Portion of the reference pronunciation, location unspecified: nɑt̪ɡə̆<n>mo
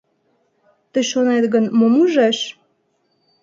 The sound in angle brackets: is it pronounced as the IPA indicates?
yes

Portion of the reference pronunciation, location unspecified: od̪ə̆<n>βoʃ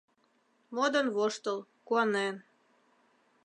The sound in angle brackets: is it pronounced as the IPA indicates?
yes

